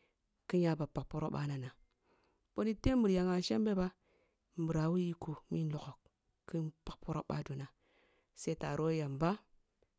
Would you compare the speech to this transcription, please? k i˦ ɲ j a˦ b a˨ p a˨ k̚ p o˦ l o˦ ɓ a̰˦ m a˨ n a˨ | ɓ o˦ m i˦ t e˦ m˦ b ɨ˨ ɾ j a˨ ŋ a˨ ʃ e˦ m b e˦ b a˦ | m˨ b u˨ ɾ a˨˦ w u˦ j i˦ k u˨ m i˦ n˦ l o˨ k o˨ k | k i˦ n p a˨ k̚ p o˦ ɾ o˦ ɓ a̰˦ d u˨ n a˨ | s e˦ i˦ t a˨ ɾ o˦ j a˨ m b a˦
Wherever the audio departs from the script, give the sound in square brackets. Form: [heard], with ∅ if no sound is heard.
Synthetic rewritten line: k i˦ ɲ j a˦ b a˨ p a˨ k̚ p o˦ [ɾ] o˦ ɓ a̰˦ [n] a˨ n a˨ | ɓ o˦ [n] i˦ t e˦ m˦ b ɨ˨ ɾ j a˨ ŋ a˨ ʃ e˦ m b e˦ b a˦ | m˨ b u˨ ɾ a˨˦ w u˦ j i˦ k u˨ m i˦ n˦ l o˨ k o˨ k | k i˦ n p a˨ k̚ p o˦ ɾ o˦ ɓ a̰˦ d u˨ n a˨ | s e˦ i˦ t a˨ ɾ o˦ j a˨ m b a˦

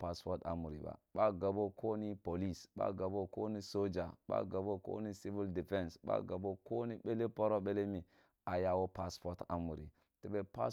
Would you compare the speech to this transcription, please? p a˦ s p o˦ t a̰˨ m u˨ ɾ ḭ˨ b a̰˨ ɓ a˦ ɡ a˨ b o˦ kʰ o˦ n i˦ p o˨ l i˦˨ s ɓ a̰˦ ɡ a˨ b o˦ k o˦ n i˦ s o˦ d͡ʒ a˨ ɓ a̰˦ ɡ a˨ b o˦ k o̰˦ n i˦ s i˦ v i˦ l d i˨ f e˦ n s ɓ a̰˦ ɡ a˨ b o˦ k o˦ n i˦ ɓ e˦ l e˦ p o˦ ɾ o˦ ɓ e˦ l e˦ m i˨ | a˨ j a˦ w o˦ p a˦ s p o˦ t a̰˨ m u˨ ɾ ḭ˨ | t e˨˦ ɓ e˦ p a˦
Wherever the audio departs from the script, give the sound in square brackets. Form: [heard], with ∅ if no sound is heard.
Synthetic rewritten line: p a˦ s p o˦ t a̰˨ m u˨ ɾ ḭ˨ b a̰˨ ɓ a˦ ɡ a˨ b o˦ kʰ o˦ n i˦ p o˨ l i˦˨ s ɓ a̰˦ ɡ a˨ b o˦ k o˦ n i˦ s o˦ d͡ʒ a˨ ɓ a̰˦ ɡ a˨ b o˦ k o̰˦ n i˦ s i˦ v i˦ l d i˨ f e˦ n s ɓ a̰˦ ɡ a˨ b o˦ k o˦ n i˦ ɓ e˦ l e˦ p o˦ ɾ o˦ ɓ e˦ l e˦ m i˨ | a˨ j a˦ w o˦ p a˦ s p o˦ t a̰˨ m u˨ ɾ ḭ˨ | t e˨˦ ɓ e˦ p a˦

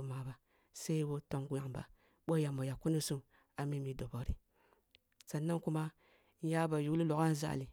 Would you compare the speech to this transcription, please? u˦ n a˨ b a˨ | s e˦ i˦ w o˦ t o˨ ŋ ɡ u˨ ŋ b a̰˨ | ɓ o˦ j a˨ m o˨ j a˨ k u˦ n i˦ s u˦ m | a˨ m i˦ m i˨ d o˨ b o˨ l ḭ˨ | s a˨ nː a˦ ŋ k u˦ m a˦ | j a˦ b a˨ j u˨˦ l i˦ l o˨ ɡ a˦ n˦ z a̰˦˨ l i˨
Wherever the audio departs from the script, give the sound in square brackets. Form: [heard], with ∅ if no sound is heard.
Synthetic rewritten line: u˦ [m] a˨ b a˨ | s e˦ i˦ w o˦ t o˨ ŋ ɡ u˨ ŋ b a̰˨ | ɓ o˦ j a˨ m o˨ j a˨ k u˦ n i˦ s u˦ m | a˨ m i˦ m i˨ d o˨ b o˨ [ɾ] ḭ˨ | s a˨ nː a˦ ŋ k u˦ m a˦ | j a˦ b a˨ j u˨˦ l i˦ l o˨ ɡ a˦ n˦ z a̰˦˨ l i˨

